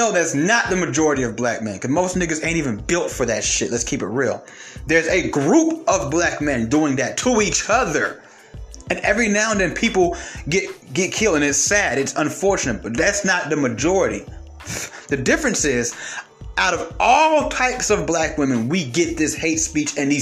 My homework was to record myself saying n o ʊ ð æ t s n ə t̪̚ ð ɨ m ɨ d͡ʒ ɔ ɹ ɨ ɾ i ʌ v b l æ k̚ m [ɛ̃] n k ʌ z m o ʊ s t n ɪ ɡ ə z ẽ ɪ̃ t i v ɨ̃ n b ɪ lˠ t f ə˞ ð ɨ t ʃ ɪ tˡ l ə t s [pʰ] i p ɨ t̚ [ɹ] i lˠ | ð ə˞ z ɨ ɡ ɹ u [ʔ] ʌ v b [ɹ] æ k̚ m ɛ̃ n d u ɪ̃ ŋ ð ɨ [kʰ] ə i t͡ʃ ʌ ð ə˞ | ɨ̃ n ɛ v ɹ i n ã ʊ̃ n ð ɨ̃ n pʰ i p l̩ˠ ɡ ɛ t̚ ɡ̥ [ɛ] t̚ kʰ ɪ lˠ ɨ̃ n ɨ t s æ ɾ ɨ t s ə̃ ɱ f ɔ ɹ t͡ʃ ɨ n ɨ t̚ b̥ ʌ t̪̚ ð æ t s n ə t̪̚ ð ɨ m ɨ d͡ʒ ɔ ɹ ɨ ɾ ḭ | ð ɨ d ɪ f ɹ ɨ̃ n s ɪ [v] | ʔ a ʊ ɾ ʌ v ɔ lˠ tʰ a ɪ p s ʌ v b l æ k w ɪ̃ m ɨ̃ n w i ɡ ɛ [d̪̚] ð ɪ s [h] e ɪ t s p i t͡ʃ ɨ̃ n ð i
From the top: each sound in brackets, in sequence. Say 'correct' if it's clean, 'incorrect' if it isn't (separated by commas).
correct, incorrect, correct, incorrect, incorrect, incorrect, correct, incorrect, incorrect, correct